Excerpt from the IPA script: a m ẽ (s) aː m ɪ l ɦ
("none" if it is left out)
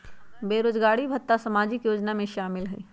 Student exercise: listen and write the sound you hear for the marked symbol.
ʃ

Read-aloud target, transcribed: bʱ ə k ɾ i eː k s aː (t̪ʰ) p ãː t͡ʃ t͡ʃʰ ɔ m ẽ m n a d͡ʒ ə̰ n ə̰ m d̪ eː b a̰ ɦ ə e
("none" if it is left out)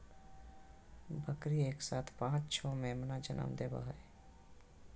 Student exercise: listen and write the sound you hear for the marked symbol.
t̪ʰ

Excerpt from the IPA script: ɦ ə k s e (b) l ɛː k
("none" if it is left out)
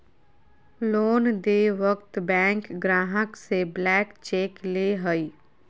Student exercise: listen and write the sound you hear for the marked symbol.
b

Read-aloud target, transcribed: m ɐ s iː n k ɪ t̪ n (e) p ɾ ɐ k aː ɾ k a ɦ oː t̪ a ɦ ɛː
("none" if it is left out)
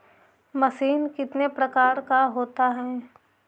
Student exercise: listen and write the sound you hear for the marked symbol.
e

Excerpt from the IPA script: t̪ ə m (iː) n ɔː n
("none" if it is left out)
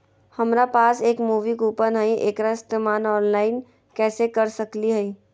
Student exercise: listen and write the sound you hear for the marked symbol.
aː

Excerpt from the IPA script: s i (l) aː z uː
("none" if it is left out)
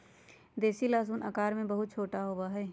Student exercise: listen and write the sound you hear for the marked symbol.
l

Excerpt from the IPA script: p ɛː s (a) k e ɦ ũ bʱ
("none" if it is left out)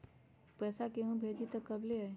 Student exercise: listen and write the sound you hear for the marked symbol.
a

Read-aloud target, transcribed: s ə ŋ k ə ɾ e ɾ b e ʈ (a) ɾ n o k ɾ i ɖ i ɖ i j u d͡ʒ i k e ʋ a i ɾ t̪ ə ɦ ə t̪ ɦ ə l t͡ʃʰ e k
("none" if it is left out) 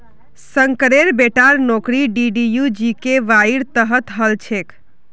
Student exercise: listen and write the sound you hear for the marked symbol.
a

